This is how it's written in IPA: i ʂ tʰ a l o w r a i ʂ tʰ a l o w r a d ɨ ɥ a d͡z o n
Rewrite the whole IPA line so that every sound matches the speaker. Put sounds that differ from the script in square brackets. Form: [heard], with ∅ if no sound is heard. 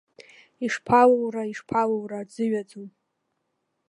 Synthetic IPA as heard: i ʂ [pʰ] a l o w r a i ʂ [pʰ] a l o w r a [d͡z] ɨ ɥ a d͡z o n